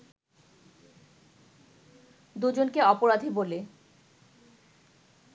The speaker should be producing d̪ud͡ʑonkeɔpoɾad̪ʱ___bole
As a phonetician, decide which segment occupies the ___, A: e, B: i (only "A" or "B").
B